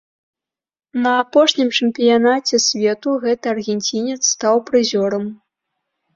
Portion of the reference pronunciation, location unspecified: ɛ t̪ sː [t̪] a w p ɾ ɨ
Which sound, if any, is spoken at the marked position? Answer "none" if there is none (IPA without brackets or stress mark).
t̪